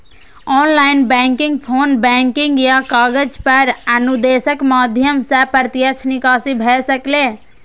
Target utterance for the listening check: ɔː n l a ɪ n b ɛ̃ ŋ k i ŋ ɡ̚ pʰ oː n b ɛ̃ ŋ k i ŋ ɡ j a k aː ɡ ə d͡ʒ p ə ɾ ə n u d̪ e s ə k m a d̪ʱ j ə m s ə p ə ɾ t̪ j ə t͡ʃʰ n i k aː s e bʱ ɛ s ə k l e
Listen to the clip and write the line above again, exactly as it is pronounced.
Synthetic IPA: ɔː n l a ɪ n b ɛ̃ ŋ k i ŋ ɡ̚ pʰ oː n b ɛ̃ ŋ k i ŋ ɡ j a k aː ɡ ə d͡ʒ p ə ɾ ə n u d̪ e s ə k m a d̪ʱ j ə m s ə p ə ɾ t̪ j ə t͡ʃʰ n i k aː s i bʱ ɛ s ə k l e